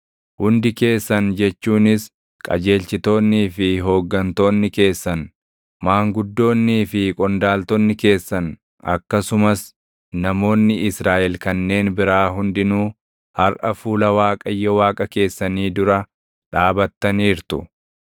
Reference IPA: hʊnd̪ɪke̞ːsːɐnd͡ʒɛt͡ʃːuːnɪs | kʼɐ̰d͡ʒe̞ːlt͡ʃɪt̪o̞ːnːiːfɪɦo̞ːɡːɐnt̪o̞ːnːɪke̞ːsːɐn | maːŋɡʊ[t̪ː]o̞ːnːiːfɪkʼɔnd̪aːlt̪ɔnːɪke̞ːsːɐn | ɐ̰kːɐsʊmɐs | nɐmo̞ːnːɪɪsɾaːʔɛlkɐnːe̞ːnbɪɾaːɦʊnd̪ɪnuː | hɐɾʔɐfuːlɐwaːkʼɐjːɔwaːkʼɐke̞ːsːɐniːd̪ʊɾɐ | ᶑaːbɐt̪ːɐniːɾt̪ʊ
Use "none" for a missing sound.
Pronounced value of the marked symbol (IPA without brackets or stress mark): d̪ː